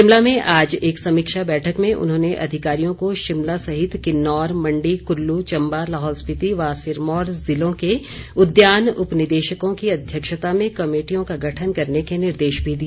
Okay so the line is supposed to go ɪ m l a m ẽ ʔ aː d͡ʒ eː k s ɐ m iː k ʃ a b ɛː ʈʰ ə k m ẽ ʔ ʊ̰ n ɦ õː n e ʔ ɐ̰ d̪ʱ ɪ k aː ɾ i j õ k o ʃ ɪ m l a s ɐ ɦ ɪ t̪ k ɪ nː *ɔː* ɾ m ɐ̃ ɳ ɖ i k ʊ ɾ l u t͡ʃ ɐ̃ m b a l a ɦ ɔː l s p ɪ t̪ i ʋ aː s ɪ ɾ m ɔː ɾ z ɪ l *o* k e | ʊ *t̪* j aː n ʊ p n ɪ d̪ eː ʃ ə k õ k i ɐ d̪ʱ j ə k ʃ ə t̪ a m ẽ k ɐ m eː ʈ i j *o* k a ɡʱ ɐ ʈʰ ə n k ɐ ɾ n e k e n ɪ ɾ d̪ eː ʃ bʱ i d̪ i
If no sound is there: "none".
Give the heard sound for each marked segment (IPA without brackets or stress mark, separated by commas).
ɔː, õ, d̪, õ